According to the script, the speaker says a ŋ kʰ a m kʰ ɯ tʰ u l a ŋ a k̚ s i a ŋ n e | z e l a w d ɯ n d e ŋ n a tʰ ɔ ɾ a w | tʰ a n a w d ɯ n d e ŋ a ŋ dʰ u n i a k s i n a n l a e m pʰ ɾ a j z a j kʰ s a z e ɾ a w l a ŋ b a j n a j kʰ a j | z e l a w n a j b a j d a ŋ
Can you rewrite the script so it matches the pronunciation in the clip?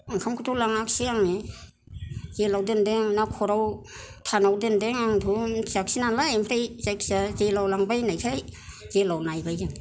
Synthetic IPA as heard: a ŋ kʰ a m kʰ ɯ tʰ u l a ŋ a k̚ s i a ŋ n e | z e l a w d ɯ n d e ŋ n a kʰ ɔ ɾ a w | tʰ a n a w d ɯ n d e ŋ a ŋ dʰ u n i a k s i n a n l a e m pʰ ɾ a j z a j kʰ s a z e l a w l a ŋ b a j n a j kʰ a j | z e l a w n a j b a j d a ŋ